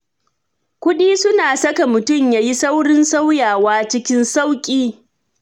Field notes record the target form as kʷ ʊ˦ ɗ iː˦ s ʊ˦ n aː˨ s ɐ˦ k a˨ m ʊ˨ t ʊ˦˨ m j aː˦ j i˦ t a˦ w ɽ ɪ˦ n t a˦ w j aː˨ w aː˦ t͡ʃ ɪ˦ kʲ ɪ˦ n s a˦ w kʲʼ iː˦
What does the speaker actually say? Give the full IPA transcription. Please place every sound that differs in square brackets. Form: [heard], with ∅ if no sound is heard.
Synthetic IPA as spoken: kʷ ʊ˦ ɗ iː˦ s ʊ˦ n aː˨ s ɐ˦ k a˨ m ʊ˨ t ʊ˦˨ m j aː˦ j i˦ [s] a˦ w ɽ ɪ˦ n [s] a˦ w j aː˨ w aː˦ t͡ʃ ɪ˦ kʲ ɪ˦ n s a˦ w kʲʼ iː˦